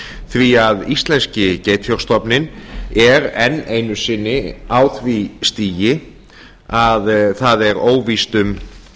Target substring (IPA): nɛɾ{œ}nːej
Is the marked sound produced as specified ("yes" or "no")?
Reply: no